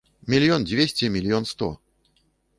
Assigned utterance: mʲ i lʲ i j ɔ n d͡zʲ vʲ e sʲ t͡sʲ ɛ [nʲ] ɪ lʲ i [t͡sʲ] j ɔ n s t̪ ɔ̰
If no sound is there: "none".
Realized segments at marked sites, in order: mʲ, none

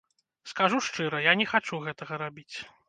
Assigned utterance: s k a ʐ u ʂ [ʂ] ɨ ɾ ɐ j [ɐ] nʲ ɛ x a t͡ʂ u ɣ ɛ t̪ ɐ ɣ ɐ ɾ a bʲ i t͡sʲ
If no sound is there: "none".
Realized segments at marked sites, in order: t͡ʂ, a

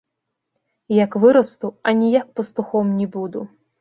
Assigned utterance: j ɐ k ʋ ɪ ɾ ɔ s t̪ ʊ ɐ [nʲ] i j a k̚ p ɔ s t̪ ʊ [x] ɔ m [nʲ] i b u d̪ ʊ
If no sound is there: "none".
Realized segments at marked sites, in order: nʲ, x, nʲ

